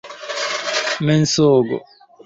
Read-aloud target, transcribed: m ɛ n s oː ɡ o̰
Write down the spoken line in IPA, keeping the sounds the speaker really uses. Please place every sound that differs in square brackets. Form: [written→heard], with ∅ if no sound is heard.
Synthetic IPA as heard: m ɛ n s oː ɡ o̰